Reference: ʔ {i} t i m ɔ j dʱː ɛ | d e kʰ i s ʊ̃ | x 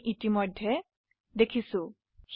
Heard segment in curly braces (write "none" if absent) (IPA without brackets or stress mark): i